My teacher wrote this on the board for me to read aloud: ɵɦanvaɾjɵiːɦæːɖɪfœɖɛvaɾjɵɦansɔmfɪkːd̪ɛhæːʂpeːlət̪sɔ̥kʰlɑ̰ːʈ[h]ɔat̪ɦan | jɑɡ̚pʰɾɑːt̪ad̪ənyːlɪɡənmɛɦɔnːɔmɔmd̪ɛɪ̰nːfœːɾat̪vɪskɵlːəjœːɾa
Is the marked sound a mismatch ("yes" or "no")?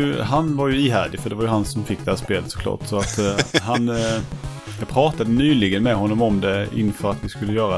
yes